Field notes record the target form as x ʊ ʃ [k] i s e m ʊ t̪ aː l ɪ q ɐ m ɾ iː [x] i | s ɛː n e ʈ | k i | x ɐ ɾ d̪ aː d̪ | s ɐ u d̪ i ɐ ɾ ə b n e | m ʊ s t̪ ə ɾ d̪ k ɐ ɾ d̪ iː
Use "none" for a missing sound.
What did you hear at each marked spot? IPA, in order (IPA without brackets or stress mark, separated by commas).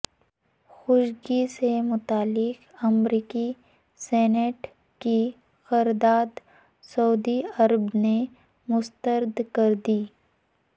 ɡ, k